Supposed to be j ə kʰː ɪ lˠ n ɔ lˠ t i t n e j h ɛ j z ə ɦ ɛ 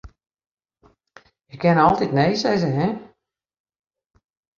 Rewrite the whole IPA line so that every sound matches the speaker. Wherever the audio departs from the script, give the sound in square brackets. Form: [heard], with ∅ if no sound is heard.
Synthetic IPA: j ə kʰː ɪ [∅] n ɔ lˠ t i t n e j [s] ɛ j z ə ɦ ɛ